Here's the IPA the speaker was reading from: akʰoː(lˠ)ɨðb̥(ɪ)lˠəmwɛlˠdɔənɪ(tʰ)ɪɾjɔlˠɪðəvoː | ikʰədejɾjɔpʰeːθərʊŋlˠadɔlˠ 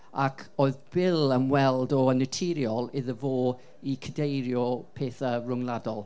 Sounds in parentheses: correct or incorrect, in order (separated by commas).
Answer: incorrect, correct, correct